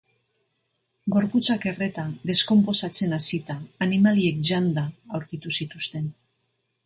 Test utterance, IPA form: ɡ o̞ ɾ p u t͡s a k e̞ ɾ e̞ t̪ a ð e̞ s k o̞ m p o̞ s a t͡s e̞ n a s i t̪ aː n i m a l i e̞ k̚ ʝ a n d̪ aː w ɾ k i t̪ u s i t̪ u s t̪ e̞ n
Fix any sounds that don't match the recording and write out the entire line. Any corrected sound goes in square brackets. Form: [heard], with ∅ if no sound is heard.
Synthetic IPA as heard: ɡ o̞ ɾ p u t͡s a k e̞ [r] e̞ t̪ a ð e̞ s k o̞ m p o̞ s a t͡s e̞ n a s i t̪ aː n i m a l i e̞ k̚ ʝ a n d̪ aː w ɾ k i t̪ u s i t̪ u s t̪ e̞ n